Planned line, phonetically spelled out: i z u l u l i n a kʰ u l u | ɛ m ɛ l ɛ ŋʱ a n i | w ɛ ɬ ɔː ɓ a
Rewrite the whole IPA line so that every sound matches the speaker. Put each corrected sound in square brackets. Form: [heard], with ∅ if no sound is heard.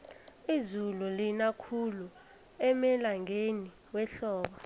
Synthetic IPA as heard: i z u l u l i n a kʰ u l u | ɛ m ɛ l [a] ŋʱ [e] n i | w ɛ ɬ ɔː ɓ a